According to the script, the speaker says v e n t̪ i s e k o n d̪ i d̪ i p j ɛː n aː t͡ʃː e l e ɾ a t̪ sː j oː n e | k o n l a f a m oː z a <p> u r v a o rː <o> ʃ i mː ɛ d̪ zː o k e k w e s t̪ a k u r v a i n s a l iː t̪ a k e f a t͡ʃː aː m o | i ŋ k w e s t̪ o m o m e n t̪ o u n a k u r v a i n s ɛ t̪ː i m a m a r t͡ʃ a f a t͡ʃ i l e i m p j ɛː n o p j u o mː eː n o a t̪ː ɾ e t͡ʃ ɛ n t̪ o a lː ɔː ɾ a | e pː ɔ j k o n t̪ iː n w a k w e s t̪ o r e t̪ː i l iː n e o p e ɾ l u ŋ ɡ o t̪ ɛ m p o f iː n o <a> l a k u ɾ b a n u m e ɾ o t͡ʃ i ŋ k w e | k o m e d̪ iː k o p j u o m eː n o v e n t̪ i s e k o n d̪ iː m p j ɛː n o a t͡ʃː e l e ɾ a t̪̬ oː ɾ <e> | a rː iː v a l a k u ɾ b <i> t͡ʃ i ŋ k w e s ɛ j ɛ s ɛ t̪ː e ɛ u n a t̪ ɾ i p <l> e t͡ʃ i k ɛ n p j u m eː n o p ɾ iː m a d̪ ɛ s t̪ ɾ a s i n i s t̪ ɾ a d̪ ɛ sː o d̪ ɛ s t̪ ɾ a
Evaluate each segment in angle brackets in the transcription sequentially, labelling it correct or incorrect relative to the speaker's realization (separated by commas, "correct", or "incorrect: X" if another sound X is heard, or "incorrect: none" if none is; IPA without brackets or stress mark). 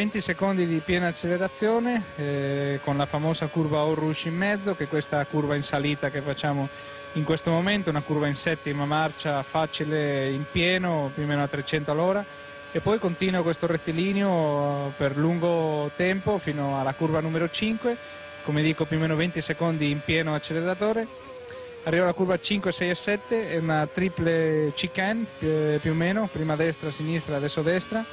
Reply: incorrect: k, incorrect: u, correct, correct, incorrect: a, correct